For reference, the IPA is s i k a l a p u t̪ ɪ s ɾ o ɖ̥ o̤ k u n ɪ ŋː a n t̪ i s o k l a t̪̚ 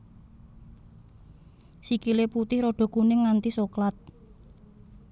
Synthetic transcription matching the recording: s i k i l e p u t̪ ɪ h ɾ o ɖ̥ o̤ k u n ɪ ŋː a n t̪ i s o k l a t̪̚